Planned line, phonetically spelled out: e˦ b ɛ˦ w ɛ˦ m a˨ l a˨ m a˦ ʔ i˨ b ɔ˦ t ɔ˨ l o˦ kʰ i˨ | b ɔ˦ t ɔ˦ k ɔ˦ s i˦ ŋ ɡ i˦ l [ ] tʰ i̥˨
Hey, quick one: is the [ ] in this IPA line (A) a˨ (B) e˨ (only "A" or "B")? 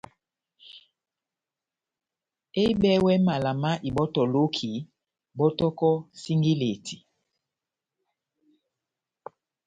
B